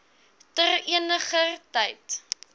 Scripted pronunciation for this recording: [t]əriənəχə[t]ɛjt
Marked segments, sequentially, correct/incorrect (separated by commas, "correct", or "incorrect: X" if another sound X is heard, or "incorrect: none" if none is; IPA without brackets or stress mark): correct, correct